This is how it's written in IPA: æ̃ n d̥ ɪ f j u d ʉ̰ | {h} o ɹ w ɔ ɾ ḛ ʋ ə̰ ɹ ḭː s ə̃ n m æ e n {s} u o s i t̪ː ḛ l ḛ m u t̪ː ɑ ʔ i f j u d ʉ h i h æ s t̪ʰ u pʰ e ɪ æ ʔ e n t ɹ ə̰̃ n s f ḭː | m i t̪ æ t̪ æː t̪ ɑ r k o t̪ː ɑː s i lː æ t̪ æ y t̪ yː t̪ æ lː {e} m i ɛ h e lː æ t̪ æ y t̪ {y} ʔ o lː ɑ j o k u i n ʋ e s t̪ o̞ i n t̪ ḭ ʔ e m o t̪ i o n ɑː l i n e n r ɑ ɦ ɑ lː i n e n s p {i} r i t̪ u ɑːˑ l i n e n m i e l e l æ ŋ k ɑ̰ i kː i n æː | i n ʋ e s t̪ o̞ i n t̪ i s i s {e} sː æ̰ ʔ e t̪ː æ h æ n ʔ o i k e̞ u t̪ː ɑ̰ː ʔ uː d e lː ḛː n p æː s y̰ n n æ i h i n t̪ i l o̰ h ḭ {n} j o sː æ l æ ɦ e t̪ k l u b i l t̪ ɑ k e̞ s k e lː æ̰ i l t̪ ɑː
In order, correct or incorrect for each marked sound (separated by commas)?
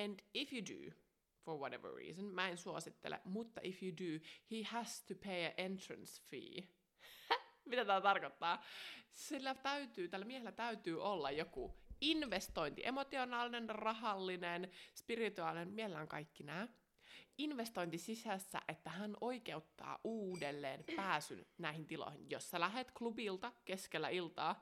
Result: incorrect, correct, incorrect, incorrect, correct, incorrect, correct